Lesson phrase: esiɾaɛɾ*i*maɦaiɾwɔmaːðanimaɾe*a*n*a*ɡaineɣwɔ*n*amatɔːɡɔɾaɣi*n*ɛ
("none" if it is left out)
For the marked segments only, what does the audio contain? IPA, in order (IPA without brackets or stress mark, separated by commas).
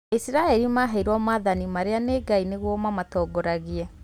i, a, e, m, none